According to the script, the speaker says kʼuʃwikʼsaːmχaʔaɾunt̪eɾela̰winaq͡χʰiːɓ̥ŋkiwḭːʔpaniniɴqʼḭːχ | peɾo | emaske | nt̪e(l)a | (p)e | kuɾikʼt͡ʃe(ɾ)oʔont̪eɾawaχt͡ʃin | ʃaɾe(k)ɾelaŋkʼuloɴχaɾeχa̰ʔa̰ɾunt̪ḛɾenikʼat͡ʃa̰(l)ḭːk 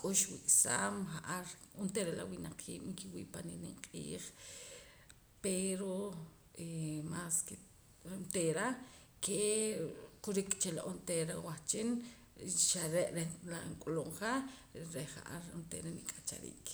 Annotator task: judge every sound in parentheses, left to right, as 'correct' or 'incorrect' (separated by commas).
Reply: incorrect, incorrect, incorrect, incorrect, incorrect